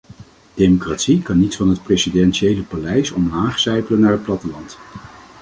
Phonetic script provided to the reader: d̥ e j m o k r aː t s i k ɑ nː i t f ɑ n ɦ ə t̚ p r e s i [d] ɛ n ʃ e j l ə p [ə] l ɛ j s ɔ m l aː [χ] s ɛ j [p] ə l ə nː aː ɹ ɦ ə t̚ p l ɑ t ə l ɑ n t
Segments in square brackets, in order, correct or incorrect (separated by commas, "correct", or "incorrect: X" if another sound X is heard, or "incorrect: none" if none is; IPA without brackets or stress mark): correct, incorrect: a, correct, correct